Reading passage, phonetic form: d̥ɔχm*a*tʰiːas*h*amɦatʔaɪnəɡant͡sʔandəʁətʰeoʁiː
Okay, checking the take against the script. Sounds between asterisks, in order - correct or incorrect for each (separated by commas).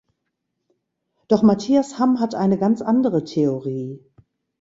correct, correct